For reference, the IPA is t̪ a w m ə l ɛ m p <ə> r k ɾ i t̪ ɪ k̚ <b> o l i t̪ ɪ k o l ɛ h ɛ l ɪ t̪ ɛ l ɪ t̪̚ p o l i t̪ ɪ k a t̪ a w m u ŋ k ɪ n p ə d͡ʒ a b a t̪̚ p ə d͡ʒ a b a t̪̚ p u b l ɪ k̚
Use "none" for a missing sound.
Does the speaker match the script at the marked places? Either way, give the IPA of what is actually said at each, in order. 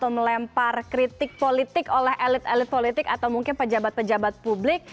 a, p

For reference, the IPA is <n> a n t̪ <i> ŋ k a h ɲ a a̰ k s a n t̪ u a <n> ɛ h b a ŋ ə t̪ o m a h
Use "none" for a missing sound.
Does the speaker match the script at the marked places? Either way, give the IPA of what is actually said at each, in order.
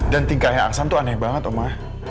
d, i, n

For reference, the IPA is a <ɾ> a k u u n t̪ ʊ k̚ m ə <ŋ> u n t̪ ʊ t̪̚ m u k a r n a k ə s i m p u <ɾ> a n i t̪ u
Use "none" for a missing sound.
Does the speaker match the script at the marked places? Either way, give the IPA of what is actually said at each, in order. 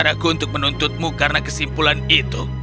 ɾ, n, l

